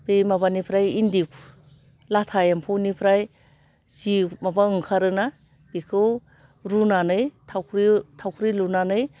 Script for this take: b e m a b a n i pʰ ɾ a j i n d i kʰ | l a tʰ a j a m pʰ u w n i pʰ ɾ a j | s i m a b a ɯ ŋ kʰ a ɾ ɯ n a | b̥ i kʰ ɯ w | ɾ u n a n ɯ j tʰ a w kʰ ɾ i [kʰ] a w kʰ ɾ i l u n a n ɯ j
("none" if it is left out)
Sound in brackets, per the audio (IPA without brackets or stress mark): tʰ